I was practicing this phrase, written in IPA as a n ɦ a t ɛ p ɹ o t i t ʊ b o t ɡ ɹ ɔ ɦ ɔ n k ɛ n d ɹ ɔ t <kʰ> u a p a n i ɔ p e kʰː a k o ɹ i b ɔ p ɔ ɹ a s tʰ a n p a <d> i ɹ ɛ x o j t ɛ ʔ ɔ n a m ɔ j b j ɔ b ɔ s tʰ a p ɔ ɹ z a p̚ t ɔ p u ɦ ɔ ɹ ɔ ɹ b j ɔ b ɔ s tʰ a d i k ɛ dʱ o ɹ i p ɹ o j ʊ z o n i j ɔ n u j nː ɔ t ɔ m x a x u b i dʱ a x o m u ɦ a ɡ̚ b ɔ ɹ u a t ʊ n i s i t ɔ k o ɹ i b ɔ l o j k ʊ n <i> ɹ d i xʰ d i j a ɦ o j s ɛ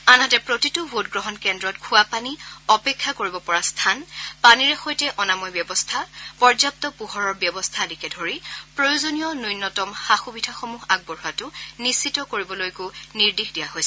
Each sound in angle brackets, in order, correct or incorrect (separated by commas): correct, incorrect, correct